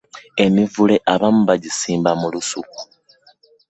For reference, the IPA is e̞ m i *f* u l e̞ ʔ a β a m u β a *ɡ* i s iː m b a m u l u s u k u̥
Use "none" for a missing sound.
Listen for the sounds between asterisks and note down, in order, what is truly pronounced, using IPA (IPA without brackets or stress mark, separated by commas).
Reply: v, ɟ